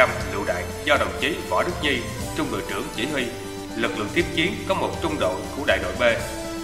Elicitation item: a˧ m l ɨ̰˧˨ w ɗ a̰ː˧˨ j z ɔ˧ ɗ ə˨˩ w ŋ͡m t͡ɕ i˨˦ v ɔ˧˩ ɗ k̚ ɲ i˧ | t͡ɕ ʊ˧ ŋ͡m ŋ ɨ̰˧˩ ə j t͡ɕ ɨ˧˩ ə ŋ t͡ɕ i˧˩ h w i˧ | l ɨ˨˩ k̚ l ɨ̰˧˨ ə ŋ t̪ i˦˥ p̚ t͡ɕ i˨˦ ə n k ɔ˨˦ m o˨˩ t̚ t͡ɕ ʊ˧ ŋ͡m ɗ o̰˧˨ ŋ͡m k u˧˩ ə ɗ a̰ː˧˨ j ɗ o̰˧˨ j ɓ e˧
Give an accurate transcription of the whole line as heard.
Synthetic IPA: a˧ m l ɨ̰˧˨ w ɗ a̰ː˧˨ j z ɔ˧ ɗ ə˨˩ w ŋ͡m t͡ɕ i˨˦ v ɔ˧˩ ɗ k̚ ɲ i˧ | t͡ɕ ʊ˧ ŋ͡m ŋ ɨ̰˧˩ ə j t͡ɕ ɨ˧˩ ə ŋ t͡ɕ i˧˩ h w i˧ | l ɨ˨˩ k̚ l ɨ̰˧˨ ə ŋ t̪ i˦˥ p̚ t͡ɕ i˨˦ ə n k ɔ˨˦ m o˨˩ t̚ t͡ɕ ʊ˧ ŋ͡m ɗ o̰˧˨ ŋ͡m k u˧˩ ə ɗ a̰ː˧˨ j ɗ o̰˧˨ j ɓ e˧

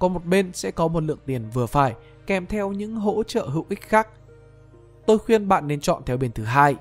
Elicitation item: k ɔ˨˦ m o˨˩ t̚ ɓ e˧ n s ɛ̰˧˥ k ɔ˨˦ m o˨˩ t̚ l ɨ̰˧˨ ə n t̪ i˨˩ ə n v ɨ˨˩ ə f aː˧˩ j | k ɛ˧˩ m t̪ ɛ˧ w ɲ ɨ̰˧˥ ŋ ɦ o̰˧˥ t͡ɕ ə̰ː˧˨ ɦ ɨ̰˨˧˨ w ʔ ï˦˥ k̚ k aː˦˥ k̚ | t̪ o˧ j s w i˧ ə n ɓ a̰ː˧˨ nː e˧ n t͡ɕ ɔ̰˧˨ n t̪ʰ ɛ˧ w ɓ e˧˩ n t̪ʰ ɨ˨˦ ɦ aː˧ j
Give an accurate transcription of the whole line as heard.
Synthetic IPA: k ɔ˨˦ m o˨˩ t̚ ɓ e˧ n s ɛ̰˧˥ k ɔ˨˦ m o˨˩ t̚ l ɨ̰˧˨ ə ŋ t̪ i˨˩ ə n v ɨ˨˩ ə f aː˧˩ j | k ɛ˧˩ m t̪ʰ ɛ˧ w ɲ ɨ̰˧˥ ŋ ɦ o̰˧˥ t͡ɕ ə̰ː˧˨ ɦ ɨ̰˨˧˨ w ʔ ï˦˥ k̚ x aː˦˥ k̚ | t̪ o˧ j x w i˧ ə n ɓ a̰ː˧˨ nː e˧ n t͡ɕ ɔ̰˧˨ n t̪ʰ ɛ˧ w ɓ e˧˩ n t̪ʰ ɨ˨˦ ɦ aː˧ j

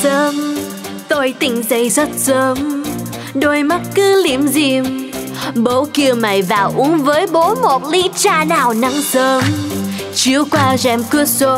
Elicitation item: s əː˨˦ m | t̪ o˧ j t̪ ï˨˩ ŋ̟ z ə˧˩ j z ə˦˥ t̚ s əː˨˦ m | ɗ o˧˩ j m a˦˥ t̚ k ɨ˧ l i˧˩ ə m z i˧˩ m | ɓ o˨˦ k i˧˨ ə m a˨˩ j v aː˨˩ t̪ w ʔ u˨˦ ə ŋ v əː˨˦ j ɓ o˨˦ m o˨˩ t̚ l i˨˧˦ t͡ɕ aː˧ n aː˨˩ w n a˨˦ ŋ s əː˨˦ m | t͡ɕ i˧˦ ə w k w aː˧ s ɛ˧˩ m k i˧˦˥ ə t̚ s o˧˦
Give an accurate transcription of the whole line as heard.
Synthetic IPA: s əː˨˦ m | t̪ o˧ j t̪ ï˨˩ ŋ̟ z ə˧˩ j z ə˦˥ t̚ s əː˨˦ m | ɗ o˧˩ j m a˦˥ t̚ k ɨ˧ l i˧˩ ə m z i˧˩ m | ɓ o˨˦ k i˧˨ ə m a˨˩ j v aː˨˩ w ʔ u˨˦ ə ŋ v əː˨˦ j ɓ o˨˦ m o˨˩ t̚ l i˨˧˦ t͡ɕ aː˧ n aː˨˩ w n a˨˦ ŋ s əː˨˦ m | t͡ɕ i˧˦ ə w k w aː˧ z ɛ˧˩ m k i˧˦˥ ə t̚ s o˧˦

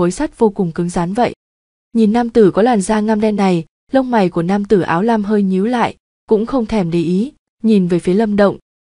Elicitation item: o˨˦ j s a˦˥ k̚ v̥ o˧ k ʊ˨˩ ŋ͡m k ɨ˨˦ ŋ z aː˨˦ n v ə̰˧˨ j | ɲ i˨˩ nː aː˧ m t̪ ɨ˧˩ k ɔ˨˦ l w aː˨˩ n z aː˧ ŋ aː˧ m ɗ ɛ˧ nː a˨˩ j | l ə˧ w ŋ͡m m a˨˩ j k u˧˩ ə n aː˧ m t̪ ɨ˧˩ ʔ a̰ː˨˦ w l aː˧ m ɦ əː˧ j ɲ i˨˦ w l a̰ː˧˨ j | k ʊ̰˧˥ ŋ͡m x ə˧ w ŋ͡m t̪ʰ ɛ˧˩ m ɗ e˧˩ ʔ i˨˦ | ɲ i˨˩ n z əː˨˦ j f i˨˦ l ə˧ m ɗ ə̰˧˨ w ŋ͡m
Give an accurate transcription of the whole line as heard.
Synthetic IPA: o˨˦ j s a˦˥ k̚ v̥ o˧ k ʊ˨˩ ŋ͡m k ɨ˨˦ ŋ z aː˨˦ n v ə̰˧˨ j | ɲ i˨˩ nː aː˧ m t̪ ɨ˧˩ k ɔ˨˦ l w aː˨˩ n z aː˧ ŋ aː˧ m ɗ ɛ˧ nː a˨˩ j | l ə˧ w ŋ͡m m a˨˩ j k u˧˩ ə n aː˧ m t̪ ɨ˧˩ ʔ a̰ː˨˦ w l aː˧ m ɦ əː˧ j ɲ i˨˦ w l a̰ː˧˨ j | k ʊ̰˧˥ ŋ͡m x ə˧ w ŋ͡m t̪ʰ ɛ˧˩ m ɗ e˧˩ ʔ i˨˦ | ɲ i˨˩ n v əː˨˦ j f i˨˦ l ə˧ m ɗ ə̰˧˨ w ŋ͡m

